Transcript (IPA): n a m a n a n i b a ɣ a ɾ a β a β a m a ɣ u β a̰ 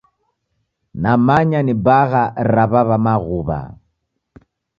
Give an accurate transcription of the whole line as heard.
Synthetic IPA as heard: n a m a ɲ a n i b a ɣ a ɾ a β a β a m a ɣ u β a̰